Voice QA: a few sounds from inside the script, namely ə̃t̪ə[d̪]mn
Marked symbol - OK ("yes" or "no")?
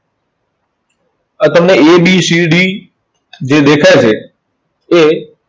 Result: no